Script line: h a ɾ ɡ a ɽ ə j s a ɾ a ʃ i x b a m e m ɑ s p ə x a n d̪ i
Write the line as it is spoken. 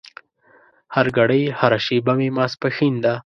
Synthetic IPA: h a ɾ ɡ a ɽ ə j h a ɾ a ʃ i b a m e m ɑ s p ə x i n d̪ a